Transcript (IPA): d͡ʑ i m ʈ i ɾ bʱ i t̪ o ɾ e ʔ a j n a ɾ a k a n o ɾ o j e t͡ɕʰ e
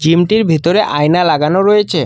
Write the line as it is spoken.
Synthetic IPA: d͡ʑ i m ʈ i ɾ bʱ i t̪ o ɾ e ʔ a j n a l a ɡ a n o ɾ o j e t͡ɕʰ e